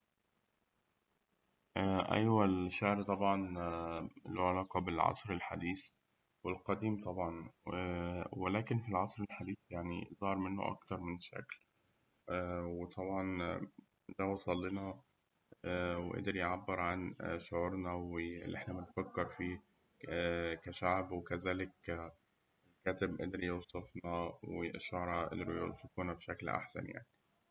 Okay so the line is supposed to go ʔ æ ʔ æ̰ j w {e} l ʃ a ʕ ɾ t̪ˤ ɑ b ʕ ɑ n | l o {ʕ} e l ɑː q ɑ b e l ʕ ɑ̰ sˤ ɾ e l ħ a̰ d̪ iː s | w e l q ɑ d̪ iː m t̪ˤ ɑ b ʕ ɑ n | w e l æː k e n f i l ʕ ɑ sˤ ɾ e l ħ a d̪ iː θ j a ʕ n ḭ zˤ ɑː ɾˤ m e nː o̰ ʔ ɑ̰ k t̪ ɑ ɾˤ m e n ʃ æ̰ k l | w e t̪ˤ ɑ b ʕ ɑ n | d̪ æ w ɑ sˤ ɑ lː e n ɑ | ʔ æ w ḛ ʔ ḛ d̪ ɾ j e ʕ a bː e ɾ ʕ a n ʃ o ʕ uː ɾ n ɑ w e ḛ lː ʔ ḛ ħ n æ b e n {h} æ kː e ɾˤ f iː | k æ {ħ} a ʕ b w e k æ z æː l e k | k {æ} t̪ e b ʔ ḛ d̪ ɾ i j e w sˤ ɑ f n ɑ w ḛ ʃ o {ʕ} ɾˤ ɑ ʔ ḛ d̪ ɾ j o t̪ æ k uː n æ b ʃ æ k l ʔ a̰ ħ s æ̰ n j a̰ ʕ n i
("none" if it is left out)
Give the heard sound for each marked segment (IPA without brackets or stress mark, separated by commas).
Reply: æ, ʕ, f, ʃ, æː, ʕ